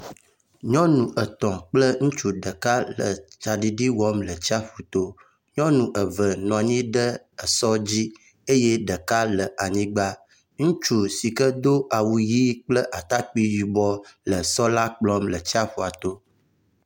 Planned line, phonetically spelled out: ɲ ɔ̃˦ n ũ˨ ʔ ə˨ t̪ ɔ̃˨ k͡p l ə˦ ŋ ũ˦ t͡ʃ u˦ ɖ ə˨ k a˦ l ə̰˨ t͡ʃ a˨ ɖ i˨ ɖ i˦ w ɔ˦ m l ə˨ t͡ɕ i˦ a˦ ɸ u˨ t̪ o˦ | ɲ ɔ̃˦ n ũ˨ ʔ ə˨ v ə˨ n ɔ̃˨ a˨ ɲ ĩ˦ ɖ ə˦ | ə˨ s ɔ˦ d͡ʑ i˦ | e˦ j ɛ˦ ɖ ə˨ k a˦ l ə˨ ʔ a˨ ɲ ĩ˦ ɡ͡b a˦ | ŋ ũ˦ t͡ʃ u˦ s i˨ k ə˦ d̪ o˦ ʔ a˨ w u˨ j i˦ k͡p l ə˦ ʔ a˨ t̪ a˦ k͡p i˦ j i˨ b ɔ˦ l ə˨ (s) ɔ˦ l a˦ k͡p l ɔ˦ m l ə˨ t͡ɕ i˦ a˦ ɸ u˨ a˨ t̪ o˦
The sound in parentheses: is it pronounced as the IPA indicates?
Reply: yes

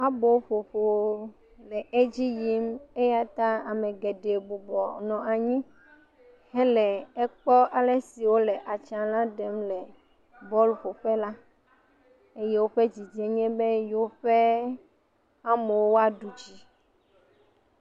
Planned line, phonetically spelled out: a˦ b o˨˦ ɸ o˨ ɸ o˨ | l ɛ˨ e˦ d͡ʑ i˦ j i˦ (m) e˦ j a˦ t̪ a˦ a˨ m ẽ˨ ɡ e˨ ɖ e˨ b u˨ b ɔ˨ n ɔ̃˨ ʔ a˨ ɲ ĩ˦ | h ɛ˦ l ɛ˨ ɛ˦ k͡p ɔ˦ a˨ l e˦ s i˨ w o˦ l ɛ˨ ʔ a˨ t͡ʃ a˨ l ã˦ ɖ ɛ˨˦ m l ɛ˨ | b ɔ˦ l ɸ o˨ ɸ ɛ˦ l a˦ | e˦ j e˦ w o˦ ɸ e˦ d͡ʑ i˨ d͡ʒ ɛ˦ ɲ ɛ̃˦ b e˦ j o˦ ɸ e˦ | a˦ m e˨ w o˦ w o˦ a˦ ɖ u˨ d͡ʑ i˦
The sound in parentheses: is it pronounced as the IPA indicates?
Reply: yes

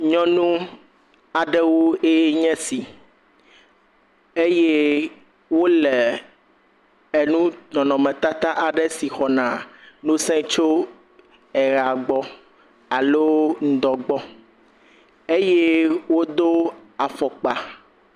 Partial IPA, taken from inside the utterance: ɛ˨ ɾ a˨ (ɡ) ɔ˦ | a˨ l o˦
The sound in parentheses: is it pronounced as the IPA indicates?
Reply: no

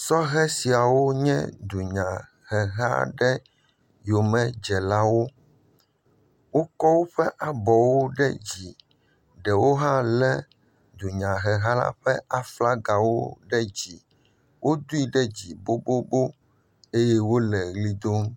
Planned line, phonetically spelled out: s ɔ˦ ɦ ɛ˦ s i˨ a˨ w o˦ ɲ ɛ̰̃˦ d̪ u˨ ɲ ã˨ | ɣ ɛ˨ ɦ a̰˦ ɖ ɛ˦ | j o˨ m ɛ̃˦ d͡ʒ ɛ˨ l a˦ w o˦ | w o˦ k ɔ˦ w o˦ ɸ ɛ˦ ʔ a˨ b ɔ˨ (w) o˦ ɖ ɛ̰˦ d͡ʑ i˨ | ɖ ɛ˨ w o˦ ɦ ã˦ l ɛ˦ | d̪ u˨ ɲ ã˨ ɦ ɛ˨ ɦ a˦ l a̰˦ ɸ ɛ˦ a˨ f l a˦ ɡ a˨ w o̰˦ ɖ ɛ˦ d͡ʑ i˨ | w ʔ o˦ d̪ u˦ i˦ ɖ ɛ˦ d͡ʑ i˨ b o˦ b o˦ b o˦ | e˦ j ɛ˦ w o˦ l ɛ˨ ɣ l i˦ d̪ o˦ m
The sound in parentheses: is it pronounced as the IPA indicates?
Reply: yes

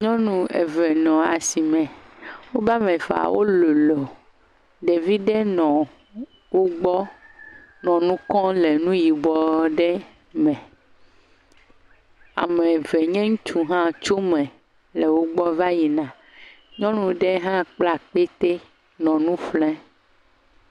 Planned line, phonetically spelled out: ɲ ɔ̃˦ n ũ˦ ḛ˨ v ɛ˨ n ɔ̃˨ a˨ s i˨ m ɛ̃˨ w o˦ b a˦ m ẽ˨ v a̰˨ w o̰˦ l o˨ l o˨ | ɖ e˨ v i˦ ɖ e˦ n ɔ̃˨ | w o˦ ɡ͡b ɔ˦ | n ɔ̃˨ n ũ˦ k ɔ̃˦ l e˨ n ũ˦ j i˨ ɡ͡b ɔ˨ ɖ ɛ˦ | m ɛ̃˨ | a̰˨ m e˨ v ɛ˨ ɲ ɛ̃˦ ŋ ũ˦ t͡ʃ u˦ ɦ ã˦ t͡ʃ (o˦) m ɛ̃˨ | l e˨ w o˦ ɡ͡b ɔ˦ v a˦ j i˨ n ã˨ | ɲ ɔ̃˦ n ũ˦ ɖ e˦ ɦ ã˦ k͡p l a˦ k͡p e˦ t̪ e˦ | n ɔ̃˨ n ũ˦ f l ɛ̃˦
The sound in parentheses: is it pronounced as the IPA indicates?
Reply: yes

